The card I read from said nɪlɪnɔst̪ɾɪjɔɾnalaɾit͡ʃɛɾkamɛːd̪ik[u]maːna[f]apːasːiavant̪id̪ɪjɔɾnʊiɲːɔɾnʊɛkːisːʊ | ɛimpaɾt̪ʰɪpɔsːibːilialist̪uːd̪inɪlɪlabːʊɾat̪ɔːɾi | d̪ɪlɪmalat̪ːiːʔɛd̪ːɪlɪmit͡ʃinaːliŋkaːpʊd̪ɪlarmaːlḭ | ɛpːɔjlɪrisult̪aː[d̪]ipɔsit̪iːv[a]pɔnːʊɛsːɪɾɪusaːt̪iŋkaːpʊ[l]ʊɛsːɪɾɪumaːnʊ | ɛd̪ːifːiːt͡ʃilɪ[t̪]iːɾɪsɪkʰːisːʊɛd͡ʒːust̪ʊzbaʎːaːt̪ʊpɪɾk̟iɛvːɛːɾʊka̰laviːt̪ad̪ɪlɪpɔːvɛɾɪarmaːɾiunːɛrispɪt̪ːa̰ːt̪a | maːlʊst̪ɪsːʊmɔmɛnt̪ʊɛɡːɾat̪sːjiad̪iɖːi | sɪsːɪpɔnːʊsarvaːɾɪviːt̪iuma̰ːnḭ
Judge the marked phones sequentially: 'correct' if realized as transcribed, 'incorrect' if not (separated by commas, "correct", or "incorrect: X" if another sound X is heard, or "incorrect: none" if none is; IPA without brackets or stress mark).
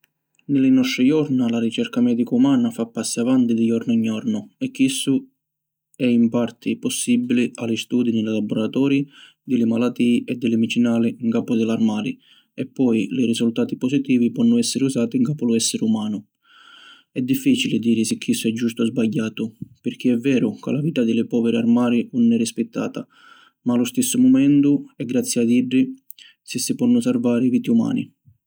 correct, correct, incorrect: t̪, incorrect: i, correct, incorrect: d̪